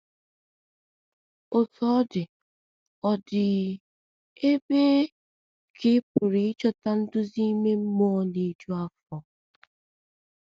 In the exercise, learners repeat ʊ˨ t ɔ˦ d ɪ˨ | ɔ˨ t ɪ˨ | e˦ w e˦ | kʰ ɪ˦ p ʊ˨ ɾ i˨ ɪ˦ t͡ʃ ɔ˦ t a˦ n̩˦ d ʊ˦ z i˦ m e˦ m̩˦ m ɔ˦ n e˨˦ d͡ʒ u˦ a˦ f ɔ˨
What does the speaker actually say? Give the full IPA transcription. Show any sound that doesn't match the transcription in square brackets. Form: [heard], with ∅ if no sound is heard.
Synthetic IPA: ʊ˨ t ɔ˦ d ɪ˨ | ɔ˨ [d] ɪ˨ | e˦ [b] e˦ | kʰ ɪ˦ p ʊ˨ ɾ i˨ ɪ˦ t͡ʃ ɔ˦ t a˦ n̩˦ d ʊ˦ z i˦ m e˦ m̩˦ m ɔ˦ n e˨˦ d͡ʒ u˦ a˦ f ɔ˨